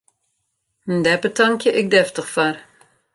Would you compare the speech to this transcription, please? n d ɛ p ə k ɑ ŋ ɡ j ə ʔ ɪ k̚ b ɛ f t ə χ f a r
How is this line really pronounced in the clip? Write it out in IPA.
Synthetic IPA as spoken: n d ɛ p ə t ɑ ŋ k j ə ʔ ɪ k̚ d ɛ f t ə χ f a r